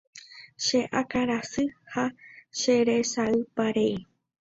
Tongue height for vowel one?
mid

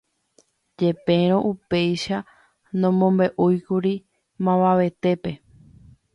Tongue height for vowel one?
mid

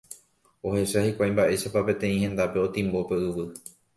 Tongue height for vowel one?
mid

